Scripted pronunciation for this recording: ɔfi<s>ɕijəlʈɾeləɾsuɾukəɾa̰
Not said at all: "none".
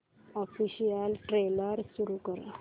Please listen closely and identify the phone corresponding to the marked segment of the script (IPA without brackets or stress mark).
none